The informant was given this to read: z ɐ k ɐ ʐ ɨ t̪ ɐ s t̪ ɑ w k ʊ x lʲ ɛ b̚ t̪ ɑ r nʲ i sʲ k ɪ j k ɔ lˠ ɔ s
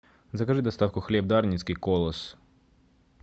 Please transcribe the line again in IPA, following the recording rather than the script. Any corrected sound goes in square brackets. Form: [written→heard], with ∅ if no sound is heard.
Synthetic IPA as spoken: z ɐ k ɐ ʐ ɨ [t̪→d̪] ɐ s t̪ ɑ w k ʊ x lʲ ɛ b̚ [t̪→d̪] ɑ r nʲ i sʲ k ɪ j k ɔ lˠ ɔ s